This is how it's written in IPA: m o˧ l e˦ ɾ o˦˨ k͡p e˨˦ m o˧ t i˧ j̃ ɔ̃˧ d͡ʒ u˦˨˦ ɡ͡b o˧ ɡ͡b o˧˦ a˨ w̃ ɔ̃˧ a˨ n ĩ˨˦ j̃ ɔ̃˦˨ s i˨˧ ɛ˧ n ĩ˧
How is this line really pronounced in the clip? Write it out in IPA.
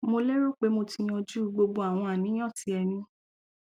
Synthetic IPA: m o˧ l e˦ ɾ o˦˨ k͡p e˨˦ m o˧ t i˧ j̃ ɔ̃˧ d͡ʒ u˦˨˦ ɡ͡b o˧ ɡ͡b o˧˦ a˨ w̃ ɔ̃˧ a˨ n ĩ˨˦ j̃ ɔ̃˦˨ t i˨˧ ɛ˧ n ĩ˧